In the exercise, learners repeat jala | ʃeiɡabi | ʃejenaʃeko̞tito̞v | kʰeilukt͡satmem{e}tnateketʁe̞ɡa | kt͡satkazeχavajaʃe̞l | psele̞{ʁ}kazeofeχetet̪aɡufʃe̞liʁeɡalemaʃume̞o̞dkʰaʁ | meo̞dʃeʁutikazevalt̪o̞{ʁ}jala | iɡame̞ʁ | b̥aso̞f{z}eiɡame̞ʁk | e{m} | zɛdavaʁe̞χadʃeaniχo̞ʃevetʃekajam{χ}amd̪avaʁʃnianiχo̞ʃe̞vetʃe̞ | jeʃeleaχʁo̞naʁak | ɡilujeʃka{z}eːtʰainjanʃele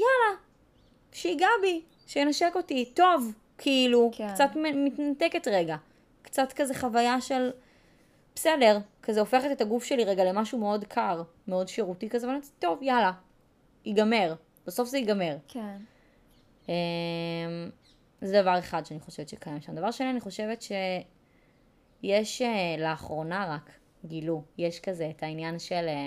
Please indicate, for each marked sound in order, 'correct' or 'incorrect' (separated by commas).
incorrect, correct, incorrect, correct, correct, incorrect, correct